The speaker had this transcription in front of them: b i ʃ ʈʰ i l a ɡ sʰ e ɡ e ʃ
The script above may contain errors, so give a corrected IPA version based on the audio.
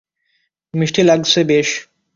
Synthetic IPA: m i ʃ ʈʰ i l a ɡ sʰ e b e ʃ